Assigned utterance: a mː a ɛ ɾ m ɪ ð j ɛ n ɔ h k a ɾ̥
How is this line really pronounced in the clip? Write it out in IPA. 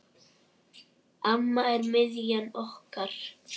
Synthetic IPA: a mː a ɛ ɾ m ɪ ð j a n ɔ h k a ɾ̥